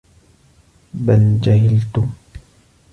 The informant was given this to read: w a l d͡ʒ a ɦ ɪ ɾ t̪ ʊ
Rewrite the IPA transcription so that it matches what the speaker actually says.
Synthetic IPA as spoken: b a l d͡ʒ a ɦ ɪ l t̪ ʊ